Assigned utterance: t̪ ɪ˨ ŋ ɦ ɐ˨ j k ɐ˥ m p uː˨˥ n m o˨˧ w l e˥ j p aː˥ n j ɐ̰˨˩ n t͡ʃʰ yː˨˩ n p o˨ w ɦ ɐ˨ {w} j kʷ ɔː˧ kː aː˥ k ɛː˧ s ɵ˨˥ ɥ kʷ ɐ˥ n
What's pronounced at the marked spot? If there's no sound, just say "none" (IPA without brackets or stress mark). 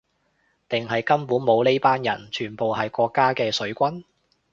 none